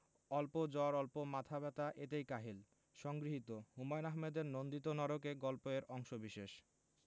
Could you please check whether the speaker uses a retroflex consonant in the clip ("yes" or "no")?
no